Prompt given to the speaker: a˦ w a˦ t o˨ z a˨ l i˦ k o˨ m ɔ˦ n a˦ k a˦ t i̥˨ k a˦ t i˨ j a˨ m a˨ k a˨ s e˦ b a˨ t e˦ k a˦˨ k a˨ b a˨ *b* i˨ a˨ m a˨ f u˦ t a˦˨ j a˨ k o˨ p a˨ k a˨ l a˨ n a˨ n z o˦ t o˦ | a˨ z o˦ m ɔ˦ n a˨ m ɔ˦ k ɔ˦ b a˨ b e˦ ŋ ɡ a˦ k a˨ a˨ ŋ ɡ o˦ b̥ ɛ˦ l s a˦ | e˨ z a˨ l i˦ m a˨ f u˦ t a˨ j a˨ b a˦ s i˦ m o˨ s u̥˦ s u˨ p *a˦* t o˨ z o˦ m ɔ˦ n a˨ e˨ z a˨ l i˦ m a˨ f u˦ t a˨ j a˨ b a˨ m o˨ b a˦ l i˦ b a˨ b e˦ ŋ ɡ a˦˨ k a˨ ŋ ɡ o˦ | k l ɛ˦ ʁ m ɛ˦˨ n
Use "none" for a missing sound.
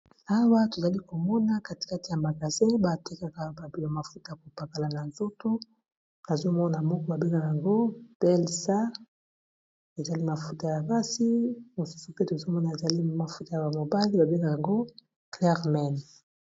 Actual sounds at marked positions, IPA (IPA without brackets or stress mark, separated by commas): b, e˦